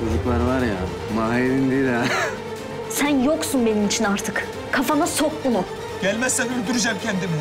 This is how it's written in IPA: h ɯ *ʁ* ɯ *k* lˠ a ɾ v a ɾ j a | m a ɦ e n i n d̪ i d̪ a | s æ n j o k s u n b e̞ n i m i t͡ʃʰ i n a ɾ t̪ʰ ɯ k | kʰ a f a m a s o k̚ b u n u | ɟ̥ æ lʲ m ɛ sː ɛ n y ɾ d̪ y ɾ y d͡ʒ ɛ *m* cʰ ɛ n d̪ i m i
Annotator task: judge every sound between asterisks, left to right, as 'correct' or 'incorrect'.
incorrect, correct, correct

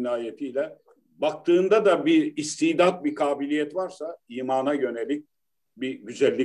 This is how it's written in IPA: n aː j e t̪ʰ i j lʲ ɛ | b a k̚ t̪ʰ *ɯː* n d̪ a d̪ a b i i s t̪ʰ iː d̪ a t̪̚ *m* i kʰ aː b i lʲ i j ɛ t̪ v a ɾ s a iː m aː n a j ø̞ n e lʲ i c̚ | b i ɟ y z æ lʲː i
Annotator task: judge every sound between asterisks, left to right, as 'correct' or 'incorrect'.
correct, incorrect

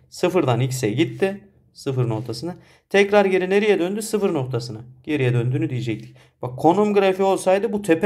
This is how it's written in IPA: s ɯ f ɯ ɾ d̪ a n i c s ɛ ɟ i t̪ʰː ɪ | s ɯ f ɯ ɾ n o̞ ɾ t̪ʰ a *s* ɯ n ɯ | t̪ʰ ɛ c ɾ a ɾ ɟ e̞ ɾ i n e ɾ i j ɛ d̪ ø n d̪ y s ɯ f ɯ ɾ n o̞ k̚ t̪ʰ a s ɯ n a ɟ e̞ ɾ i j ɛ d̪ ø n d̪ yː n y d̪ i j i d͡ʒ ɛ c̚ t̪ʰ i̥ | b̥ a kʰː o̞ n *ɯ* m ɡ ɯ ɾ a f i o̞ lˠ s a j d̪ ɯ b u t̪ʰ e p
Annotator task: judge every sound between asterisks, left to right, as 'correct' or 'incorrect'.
correct, incorrect

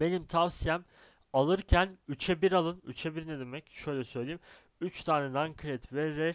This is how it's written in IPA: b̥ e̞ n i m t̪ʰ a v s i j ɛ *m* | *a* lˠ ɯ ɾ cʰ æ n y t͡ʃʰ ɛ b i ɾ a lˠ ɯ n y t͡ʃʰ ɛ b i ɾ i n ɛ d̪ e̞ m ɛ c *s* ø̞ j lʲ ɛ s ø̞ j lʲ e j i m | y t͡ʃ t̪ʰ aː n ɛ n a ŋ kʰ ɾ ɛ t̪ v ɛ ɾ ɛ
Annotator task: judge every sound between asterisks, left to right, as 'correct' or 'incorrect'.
correct, correct, incorrect

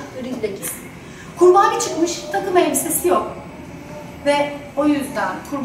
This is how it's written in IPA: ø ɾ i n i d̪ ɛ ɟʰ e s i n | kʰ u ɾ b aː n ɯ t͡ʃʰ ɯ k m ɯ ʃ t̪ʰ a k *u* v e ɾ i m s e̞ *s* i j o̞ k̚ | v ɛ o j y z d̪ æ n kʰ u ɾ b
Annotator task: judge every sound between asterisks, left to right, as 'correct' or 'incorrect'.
incorrect, correct

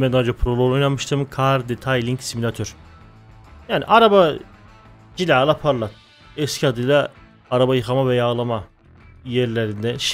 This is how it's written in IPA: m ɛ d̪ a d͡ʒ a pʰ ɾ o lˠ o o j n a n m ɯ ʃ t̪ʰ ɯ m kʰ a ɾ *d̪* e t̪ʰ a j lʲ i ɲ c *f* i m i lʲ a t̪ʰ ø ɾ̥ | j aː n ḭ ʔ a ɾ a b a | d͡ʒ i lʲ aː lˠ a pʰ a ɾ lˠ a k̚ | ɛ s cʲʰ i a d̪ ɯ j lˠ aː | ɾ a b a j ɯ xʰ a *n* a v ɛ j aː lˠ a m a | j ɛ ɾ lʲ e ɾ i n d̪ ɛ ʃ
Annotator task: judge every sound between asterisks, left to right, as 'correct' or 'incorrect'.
correct, incorrect, incorrect

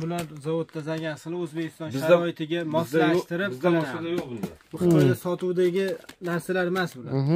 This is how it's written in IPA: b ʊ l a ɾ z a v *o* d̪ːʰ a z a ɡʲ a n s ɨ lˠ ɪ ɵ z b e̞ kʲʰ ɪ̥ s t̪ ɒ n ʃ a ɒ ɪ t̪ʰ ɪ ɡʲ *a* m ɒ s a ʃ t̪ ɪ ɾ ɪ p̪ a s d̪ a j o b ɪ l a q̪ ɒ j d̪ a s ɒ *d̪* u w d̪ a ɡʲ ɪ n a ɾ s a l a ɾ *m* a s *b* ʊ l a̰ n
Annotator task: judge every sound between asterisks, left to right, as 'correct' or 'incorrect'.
correct, correct, incorrect, correct, correct

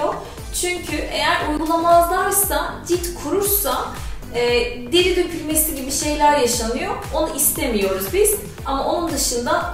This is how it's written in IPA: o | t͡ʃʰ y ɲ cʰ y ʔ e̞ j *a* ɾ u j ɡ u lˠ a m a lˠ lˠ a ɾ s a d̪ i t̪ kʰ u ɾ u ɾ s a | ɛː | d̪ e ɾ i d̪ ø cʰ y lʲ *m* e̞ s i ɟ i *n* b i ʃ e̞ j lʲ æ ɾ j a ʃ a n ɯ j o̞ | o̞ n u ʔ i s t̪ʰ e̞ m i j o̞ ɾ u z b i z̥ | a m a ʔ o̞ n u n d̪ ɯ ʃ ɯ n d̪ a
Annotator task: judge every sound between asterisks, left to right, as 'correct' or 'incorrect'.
incorrect, correct, incorrect

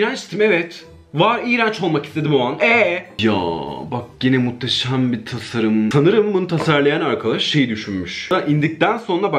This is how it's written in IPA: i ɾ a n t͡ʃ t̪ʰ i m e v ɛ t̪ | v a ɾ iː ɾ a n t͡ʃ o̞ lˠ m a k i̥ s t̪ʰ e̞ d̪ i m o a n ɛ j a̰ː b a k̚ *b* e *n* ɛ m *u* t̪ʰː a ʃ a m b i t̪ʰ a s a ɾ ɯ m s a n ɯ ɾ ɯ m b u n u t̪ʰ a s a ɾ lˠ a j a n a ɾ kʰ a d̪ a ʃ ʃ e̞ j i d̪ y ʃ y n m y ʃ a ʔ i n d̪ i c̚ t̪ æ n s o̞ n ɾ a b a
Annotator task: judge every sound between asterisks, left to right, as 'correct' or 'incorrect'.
incorrect, correct, correct

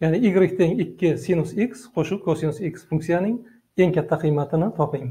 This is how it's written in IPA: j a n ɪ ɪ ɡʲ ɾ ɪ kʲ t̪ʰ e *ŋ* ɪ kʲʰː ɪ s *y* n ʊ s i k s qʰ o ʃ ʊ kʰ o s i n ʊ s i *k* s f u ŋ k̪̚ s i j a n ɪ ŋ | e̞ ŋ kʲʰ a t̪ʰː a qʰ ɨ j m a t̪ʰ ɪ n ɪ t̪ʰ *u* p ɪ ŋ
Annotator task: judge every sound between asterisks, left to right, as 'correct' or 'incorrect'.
correct, incorrect, correct, incorrect

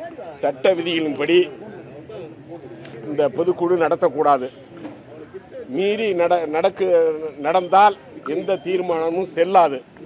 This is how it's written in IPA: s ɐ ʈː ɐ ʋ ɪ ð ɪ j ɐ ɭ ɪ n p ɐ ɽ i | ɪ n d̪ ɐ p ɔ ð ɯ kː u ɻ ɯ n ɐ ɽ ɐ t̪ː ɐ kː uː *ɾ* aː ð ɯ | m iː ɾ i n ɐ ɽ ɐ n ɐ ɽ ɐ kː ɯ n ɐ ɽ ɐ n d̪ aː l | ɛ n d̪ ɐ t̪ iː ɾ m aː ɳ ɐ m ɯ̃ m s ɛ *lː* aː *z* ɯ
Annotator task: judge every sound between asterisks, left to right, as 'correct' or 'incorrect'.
incorrect, correct, incorrect

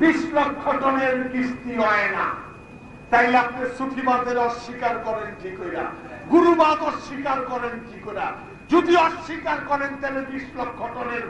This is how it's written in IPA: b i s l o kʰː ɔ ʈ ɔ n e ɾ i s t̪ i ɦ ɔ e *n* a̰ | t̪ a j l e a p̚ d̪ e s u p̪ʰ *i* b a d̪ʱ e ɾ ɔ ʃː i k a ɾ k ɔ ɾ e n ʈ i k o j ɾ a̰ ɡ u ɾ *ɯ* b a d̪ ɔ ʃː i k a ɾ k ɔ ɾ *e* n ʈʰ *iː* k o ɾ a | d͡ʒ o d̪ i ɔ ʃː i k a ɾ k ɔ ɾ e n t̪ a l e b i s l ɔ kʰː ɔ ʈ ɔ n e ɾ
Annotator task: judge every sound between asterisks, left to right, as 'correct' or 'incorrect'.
correct, correct, incorrect, correct, incorrect

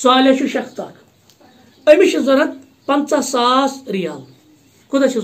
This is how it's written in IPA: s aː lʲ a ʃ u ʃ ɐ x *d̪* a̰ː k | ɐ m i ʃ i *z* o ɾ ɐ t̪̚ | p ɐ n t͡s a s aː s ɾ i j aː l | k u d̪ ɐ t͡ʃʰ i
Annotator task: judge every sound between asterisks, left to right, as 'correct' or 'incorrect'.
incorrect, correct

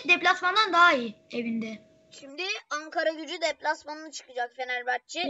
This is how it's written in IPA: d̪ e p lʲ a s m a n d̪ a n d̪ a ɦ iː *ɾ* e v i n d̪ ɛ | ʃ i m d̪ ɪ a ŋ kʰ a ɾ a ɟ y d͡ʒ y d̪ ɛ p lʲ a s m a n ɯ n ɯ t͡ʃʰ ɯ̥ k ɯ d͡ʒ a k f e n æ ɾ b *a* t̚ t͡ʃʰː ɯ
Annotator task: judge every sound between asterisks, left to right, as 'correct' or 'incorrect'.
incorrect, correct

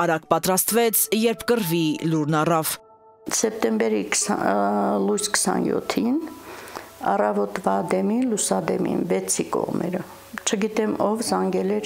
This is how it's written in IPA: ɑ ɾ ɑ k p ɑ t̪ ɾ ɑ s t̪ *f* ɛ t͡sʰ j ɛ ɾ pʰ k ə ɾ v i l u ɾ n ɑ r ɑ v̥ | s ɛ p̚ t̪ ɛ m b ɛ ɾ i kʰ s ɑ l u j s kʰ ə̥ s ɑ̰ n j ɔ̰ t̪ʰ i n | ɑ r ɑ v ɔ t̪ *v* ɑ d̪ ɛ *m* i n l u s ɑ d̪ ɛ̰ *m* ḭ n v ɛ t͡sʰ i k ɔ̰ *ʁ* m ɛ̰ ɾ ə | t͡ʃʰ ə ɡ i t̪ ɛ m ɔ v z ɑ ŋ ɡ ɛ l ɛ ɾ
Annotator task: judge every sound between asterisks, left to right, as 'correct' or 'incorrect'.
incorrect, correct, correct, correct, correct

